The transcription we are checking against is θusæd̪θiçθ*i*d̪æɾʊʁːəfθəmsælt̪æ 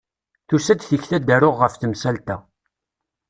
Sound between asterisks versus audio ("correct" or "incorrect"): incorrect